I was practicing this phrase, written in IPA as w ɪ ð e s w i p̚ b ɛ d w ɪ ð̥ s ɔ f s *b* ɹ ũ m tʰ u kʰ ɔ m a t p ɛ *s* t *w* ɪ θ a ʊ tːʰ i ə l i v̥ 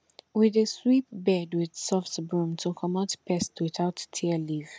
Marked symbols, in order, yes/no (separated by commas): yes, yes, yes